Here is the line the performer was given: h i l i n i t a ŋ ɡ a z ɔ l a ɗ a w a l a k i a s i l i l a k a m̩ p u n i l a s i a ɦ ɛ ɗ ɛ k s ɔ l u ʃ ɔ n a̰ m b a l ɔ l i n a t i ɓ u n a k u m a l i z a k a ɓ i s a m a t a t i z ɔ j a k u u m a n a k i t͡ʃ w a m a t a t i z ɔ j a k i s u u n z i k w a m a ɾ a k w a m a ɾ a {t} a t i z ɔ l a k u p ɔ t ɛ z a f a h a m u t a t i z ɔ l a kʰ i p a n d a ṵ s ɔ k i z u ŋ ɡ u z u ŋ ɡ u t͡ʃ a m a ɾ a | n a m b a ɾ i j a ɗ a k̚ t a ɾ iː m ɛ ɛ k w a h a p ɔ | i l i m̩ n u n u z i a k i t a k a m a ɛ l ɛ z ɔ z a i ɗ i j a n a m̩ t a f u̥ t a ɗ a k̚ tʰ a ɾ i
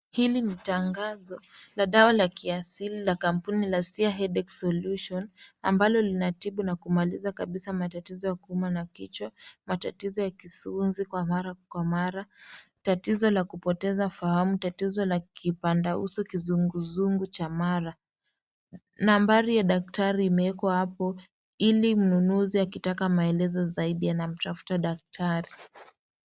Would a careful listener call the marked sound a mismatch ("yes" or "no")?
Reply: no